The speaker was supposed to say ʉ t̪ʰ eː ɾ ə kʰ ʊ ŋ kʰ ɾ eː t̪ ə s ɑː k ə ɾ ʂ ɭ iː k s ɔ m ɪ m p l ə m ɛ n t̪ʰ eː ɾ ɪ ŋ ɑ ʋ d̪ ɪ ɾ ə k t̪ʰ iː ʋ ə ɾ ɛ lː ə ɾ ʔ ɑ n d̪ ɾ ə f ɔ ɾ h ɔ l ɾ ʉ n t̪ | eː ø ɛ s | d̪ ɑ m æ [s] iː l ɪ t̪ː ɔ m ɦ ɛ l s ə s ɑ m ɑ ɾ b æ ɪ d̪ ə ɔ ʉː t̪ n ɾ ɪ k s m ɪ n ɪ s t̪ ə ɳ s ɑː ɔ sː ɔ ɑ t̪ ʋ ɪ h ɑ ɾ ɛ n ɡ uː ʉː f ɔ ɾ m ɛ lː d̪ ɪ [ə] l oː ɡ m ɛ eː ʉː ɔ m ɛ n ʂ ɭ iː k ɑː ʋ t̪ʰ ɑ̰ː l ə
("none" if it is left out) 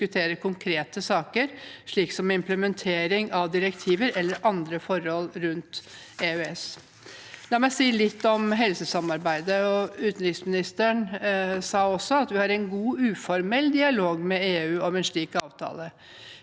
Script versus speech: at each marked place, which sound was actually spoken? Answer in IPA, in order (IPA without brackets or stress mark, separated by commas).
s, ɑ